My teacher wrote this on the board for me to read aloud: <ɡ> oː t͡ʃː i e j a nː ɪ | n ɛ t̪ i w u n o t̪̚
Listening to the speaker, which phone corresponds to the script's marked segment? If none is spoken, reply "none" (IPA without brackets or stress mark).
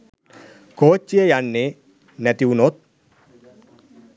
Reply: k